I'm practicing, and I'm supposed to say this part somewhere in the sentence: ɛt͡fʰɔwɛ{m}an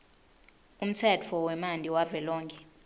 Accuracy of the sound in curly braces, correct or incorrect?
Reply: correct